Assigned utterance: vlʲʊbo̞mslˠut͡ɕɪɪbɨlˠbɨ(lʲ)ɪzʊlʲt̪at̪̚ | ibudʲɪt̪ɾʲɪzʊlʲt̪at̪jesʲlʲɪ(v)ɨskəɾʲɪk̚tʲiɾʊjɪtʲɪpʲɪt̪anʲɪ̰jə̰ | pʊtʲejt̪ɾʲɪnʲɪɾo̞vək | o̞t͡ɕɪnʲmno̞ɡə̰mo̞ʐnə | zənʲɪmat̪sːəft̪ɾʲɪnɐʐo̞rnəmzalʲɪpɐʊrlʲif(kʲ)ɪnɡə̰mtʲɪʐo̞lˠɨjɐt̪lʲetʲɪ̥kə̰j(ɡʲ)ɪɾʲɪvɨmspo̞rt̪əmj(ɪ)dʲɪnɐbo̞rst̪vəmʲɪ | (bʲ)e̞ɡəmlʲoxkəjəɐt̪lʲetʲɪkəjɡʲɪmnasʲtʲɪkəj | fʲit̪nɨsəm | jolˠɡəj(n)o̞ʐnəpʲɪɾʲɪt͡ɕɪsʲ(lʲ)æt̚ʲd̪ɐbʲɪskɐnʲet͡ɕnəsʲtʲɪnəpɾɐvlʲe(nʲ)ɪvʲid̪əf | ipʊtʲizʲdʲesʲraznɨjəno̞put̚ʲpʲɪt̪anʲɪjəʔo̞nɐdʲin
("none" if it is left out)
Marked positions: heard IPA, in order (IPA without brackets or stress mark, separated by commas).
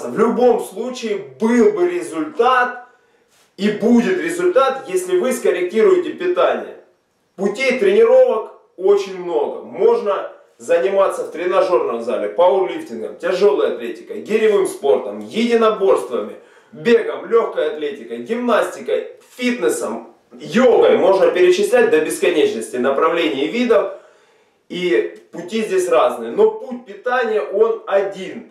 ɾʲ, v, tʲ, ɡʲ, ɪ, bʲ, m, lʲ, nʲ